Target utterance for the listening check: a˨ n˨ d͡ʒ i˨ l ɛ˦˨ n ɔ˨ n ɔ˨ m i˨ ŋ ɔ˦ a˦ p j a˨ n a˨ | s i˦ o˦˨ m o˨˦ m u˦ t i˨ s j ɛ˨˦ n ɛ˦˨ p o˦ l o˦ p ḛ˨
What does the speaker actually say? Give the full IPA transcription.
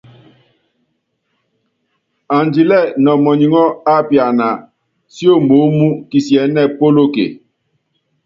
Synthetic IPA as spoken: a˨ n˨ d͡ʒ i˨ l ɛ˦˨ n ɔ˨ m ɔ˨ ɲ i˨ ŋ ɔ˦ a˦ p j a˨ n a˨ | s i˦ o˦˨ m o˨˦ m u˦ k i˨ s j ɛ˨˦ n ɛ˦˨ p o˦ l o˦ k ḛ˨